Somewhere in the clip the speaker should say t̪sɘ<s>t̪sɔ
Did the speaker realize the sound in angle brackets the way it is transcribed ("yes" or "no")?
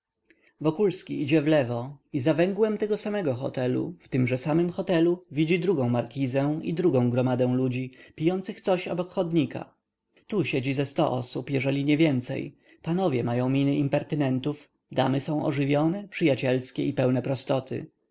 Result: no